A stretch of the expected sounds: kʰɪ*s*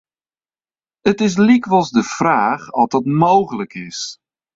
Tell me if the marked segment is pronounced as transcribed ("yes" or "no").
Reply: yes